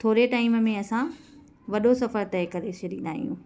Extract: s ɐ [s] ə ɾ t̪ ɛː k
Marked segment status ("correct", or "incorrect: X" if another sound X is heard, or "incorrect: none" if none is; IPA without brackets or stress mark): incorrect: f